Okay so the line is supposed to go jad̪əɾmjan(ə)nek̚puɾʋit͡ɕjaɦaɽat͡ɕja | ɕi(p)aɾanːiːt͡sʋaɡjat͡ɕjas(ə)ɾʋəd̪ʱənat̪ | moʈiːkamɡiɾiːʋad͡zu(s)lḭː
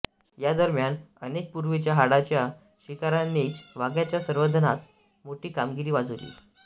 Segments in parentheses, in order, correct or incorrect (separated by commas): correct, incorrect, correct, incorrect